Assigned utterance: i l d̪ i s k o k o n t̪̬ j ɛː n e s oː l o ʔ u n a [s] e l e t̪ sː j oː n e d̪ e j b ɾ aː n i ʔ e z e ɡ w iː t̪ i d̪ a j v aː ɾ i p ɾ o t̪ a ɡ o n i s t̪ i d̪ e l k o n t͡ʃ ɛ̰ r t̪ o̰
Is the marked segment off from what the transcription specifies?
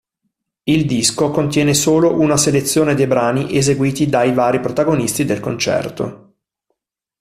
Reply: no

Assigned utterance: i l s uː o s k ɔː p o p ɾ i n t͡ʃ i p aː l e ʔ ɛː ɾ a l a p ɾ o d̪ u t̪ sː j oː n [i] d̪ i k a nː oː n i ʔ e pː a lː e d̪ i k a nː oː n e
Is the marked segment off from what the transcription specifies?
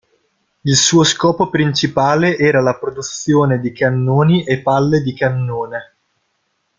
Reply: yes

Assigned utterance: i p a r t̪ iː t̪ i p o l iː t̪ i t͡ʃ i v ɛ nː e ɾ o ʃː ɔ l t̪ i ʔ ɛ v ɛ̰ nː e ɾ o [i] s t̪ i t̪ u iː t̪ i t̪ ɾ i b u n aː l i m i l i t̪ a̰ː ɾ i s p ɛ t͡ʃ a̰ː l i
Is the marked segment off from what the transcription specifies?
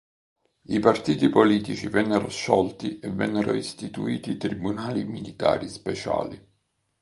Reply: no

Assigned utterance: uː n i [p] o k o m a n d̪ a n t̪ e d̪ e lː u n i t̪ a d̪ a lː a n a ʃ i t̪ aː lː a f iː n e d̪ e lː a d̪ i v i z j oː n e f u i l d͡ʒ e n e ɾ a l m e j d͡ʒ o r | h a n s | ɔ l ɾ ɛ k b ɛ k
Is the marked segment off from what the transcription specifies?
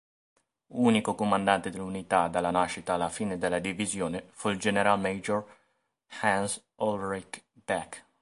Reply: yes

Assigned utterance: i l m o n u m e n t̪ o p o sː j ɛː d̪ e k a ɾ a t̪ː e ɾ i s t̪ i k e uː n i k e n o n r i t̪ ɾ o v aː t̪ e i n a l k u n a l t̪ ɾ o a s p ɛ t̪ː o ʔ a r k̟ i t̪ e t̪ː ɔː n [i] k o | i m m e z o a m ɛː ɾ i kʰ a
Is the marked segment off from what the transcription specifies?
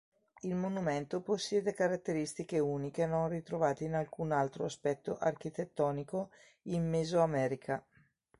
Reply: no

